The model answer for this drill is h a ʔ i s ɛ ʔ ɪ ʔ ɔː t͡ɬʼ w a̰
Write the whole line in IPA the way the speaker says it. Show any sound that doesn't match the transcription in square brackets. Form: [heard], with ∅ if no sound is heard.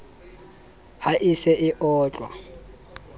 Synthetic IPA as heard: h a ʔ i s ɛ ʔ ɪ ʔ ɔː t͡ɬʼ w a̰

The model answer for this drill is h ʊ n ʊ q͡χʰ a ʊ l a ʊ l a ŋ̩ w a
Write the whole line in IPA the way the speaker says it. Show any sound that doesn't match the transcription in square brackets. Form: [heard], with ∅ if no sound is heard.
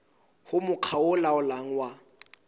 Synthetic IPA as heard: h ʊ [m] ʊ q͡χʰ a ʊ l a ʊ l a ŋ̩ w a

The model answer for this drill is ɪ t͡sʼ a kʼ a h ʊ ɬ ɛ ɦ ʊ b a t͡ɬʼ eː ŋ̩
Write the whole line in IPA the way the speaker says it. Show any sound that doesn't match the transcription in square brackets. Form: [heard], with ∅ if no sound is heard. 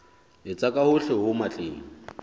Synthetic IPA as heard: ɪ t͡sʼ a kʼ a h ʊ ɬ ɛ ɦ ʊ [m] a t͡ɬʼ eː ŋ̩

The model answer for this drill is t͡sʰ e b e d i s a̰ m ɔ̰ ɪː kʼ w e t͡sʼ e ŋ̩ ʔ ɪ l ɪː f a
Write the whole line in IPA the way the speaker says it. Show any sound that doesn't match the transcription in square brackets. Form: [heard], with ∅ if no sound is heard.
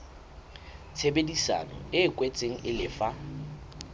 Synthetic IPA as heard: t͡sʰ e b e d i s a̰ [n] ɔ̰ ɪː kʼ w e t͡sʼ e ŋ̩ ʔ ɪ l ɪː f a

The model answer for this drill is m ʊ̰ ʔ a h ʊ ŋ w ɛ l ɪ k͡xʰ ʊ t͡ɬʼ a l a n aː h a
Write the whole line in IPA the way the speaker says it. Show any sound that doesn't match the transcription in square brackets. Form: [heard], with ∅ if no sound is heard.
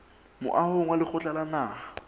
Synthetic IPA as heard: m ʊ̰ ʔ a h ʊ ŋ w [a] l ɪ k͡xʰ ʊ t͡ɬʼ a l a n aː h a

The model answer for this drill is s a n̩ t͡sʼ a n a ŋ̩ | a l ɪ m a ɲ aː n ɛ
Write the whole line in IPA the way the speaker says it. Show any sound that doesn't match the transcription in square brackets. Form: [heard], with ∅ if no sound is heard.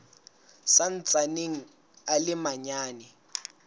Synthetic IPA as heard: s a n̩ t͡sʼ a n [e] ŋ̩ | a l ɪ m a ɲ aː n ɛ

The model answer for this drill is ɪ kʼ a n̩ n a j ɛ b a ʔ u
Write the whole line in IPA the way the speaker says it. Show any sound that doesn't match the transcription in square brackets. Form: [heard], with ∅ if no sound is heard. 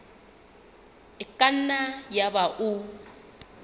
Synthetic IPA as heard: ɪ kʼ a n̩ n a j [a] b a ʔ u

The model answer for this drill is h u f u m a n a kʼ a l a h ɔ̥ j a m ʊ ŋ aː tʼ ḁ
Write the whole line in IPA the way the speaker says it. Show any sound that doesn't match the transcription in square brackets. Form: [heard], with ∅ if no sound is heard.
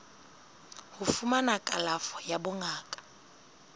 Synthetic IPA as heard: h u f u m a n a kʼ a l a [f] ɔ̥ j a [b] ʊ ŋ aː [kʼ] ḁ

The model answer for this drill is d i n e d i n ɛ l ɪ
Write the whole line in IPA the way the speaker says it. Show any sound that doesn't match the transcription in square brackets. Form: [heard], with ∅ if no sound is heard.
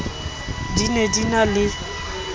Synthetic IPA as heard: d i n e d i n [a] l ɪ

